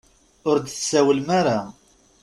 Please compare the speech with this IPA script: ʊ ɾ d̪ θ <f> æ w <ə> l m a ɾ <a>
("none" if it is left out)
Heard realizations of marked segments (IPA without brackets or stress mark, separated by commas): s, ə, a